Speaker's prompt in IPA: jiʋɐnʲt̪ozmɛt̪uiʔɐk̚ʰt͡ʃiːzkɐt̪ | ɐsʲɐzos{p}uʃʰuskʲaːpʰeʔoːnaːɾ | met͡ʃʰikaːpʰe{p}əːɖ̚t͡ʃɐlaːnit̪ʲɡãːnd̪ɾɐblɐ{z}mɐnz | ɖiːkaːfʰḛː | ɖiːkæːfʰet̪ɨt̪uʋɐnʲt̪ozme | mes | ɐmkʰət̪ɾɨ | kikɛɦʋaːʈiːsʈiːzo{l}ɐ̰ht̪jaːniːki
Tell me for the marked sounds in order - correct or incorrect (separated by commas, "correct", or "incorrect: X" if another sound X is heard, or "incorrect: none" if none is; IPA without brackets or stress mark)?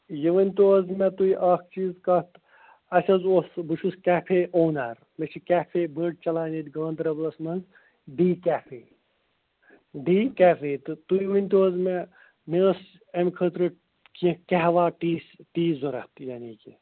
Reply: incorrect: b, incorrect: b, incorrect: s, incorrect: ɾ